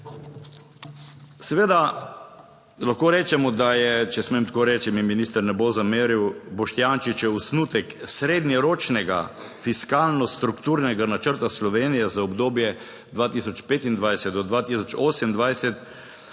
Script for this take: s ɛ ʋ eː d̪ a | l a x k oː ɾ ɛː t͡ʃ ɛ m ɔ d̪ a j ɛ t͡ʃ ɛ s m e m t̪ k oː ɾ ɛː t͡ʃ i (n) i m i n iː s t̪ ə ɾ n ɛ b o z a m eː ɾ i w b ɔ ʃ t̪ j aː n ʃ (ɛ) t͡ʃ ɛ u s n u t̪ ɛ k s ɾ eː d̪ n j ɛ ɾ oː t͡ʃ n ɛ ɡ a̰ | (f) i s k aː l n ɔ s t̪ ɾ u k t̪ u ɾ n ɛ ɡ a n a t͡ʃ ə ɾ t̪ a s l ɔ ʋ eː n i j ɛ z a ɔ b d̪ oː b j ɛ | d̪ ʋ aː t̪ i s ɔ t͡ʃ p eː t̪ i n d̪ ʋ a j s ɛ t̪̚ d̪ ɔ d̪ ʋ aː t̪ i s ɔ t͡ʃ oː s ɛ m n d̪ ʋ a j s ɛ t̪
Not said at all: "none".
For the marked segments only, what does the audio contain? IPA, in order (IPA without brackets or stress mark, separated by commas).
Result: m, i, f